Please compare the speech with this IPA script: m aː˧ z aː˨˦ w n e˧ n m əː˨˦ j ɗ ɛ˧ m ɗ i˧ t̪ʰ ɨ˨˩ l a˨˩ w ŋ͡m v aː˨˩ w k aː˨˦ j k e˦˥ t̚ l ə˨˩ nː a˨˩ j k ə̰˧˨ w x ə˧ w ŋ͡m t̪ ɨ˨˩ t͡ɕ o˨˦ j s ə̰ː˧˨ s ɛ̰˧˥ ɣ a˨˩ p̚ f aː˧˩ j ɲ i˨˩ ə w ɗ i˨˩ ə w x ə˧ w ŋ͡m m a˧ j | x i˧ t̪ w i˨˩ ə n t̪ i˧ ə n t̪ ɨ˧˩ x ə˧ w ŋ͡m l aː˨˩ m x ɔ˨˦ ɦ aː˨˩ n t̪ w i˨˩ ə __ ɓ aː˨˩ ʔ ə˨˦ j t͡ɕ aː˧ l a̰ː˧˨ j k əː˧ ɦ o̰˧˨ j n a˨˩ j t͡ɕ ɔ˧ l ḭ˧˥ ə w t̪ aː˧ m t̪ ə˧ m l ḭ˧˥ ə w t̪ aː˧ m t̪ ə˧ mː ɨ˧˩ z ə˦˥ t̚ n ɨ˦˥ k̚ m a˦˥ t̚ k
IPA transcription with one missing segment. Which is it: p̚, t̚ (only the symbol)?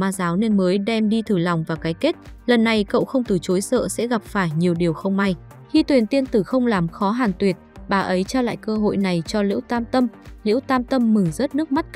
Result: t̚